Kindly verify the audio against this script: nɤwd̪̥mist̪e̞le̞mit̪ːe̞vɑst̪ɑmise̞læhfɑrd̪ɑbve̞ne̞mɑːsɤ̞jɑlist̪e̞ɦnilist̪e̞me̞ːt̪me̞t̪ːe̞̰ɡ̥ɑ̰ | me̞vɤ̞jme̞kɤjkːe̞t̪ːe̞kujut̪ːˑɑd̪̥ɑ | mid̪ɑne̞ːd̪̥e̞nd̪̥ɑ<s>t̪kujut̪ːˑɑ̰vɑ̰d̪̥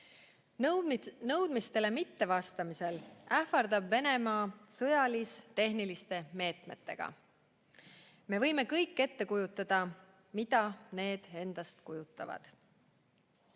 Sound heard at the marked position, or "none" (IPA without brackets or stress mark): s